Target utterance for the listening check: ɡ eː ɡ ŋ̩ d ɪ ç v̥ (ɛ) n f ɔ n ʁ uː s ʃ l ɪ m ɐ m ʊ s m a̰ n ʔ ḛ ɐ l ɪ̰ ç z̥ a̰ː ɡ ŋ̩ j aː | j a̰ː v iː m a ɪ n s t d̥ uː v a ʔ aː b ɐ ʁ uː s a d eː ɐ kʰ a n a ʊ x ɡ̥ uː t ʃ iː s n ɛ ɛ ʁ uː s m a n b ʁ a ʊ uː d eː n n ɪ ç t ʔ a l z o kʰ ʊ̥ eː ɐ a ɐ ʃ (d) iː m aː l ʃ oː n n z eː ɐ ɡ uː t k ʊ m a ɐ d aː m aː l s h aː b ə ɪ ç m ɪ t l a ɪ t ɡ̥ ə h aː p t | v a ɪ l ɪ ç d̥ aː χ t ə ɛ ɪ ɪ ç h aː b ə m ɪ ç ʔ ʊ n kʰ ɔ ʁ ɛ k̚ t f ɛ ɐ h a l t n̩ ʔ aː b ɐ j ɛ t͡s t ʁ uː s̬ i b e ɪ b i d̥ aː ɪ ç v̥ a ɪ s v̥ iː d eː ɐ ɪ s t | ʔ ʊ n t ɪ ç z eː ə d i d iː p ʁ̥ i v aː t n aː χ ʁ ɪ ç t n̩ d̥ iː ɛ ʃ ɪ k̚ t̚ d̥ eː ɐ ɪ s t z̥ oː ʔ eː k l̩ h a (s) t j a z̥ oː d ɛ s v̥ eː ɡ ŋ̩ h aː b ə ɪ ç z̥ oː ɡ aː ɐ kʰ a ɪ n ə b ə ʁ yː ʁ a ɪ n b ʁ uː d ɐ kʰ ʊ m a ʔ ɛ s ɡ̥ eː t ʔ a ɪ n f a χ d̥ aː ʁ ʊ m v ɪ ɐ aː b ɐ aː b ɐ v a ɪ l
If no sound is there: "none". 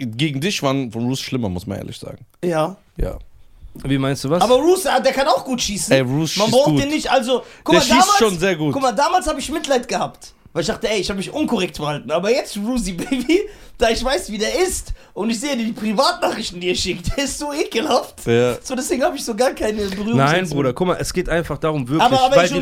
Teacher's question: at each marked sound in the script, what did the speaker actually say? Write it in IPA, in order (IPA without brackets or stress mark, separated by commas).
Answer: a, d, f